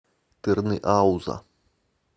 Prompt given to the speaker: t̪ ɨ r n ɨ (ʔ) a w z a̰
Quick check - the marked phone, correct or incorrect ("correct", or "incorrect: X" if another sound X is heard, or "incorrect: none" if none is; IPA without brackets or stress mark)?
correct